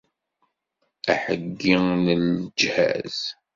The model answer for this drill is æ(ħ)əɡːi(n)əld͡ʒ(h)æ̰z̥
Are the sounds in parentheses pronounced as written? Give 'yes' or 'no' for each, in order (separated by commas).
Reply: yes, yes, yes